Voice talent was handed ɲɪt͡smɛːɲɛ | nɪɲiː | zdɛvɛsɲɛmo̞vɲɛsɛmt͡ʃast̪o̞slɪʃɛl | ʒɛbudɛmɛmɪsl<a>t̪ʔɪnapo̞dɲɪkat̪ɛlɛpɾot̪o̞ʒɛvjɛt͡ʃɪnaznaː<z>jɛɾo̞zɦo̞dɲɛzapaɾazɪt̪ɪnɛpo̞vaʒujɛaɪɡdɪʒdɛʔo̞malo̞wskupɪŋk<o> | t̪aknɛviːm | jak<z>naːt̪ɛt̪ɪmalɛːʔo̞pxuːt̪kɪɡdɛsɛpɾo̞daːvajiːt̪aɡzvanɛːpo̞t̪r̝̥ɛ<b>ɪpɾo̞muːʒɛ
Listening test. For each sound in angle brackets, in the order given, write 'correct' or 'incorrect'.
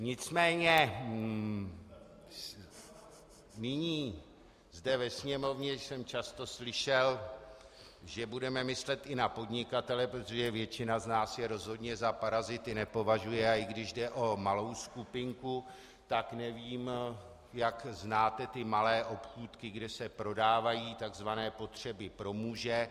incorrect: ɛ, incorrect: s, incorrect: u, correct, correct

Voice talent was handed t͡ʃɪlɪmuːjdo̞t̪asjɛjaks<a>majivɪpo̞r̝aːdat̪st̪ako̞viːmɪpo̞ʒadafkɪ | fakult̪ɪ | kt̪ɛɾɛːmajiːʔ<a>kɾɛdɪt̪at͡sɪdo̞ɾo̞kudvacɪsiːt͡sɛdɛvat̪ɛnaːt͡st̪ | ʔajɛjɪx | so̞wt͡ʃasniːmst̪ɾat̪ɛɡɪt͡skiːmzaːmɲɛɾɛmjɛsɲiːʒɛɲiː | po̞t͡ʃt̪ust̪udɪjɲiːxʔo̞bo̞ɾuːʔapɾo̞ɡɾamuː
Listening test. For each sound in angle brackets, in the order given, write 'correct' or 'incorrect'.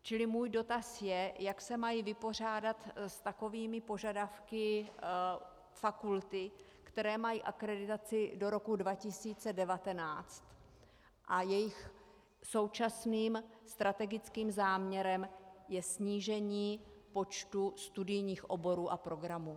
incorrect: ɛ, correct

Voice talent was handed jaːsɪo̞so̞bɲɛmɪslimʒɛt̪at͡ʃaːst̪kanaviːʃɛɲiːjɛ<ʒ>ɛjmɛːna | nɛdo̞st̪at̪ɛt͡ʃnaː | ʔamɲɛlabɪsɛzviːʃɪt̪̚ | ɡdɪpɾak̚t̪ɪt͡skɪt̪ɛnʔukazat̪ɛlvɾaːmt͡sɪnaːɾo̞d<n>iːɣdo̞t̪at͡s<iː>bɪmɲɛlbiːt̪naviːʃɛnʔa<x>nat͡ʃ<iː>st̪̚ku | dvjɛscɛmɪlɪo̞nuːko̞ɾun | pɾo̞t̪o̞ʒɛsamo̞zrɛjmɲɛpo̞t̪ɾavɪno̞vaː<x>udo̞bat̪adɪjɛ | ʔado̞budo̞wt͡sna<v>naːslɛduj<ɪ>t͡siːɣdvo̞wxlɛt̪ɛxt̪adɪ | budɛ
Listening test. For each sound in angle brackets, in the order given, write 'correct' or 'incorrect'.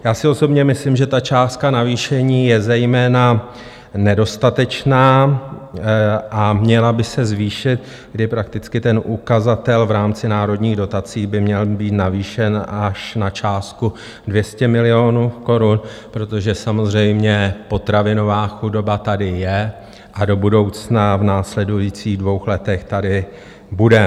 incorrect: z, incorrect: ɲ, correct, incorrect: ʃ, incorrect: aː, correct, correct, incorrect: i

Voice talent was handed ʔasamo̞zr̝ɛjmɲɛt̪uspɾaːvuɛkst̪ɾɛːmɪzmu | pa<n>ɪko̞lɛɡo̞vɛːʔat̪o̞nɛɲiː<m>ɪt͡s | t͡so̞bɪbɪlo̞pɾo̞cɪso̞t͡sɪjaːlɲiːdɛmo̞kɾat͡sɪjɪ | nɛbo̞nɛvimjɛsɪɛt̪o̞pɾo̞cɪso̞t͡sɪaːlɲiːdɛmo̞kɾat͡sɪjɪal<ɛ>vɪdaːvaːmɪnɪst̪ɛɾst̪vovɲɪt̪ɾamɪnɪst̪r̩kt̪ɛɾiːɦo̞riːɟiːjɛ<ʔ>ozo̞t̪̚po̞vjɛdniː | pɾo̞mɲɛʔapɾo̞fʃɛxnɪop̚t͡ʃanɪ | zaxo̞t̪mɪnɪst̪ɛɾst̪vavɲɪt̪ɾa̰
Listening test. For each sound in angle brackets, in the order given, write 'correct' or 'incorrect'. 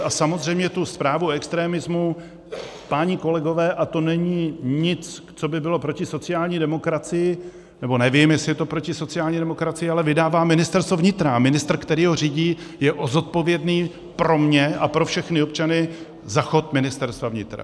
incorrect: ɲ, incorrect: ɲ, correct, correct

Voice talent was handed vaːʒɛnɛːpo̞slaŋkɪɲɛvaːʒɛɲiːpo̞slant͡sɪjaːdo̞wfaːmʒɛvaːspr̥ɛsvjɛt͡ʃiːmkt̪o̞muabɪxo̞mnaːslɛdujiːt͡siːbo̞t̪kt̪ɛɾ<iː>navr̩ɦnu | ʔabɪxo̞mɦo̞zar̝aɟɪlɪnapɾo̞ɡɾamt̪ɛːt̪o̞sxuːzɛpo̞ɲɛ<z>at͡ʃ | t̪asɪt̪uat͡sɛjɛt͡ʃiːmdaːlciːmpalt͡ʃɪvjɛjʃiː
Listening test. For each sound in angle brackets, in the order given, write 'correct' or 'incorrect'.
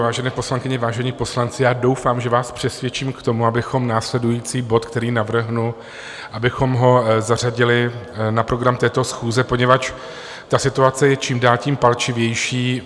correct, incorrect: v

